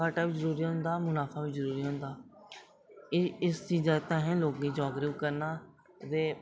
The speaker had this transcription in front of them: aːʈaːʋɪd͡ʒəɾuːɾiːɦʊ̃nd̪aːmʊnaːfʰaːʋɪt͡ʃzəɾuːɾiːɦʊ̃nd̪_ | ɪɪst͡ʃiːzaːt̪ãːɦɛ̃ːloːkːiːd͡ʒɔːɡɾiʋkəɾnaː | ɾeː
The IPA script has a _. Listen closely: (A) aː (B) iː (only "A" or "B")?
A